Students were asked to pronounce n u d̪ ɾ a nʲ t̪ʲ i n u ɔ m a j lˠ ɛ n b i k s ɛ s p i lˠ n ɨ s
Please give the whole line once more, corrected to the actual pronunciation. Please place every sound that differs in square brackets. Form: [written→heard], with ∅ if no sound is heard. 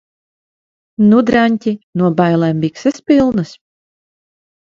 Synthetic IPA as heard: n u d̪ ɾ a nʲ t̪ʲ i n u ɔ [m→b] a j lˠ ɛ [n→m] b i k s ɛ s p i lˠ n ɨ s